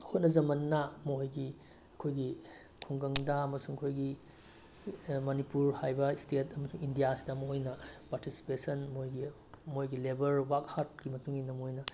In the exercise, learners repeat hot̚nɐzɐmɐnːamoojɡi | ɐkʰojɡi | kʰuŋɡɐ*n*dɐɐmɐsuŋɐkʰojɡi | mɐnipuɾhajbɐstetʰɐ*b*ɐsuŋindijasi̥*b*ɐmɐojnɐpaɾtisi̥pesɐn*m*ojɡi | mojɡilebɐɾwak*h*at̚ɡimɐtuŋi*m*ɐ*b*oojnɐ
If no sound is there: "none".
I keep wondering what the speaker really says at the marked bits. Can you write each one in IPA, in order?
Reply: ŋ, m, d, m, h, n, m

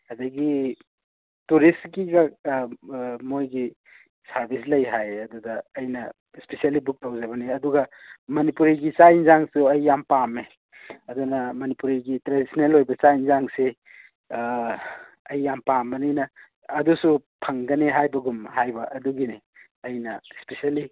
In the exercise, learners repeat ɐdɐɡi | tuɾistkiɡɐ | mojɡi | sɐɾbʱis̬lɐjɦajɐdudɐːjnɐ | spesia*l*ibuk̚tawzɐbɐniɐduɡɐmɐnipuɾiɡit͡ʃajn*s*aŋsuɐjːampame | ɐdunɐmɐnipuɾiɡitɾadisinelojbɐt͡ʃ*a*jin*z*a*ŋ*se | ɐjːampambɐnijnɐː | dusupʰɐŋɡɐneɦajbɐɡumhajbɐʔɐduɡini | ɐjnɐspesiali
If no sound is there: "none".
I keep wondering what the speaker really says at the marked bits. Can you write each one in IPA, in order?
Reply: l, z, a, z, ŋ

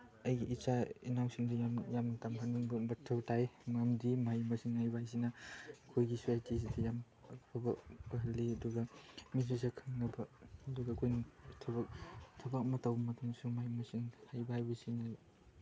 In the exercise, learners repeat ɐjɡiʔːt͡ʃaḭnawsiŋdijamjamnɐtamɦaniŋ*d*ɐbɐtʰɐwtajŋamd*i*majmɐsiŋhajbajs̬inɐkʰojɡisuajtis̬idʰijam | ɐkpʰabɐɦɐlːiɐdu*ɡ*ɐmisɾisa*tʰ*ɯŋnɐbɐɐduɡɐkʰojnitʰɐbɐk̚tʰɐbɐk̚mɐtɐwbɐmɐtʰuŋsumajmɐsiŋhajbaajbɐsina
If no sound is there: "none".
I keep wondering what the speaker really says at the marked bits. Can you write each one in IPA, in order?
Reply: b, i, ɡ, kʰ

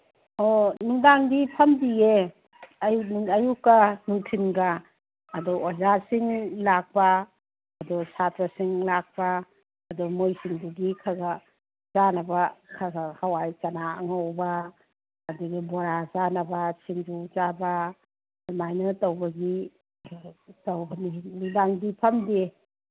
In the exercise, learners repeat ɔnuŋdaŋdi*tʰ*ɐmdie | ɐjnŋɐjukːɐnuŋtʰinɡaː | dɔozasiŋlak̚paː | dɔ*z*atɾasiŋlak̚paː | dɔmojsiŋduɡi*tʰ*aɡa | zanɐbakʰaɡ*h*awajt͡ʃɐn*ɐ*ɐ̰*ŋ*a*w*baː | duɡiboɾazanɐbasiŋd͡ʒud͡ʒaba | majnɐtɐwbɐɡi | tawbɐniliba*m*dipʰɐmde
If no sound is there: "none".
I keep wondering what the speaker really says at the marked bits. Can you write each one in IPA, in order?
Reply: pʰ, s, kʰ, h, a, ŋ, w, ŋ

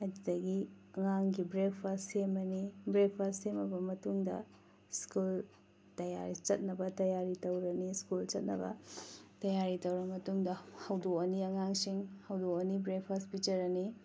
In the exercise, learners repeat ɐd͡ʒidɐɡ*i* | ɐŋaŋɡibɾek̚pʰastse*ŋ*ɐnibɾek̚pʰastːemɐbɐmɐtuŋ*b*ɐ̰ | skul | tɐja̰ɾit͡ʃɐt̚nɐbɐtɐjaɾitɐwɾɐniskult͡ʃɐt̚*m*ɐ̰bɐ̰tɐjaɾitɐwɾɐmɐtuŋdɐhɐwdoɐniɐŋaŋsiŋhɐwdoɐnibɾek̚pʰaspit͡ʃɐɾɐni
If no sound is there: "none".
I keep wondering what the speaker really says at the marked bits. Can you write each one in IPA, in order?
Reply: i, m, d, n

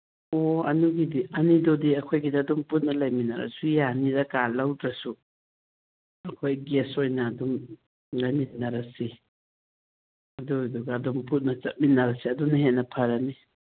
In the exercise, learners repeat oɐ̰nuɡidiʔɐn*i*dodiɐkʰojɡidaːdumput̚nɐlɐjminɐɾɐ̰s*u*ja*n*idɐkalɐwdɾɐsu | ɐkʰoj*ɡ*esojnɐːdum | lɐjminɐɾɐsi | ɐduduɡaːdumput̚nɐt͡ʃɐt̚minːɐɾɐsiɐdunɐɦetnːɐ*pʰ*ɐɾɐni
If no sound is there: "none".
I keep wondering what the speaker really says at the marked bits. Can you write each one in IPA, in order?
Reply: i, u, n, ɡ, pʰ

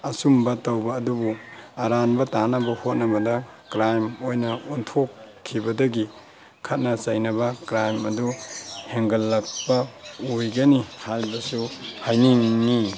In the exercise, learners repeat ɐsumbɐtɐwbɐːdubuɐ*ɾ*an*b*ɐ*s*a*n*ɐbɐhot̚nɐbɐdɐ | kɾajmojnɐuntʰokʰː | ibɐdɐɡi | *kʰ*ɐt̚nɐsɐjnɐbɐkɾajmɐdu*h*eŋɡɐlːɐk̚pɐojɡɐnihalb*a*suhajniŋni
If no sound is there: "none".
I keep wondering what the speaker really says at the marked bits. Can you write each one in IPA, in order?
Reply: ɾ, b, t, n, kʰ, h, ɐ

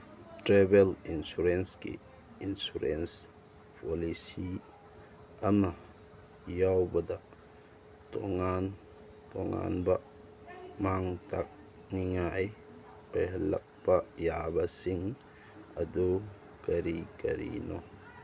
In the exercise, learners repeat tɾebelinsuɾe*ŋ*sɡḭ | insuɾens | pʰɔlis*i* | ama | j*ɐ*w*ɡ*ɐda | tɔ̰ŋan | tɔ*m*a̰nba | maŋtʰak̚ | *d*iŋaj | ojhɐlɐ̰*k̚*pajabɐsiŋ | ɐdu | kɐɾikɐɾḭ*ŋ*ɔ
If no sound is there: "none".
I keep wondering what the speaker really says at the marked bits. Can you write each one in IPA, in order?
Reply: n, i, a, b, ŋ, n, k̚, n

